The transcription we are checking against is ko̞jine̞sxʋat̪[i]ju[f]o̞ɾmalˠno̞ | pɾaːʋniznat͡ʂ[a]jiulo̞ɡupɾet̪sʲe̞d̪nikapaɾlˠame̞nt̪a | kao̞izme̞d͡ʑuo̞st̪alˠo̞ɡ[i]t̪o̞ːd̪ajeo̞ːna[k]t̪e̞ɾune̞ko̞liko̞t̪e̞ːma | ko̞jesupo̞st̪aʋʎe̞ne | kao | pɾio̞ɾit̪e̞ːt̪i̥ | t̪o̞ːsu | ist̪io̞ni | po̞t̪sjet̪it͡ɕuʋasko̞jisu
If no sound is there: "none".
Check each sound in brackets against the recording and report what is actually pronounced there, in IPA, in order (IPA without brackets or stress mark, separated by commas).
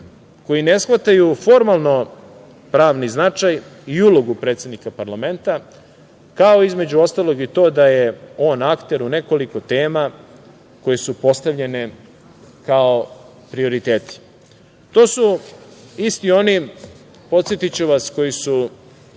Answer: a, f, a, i, k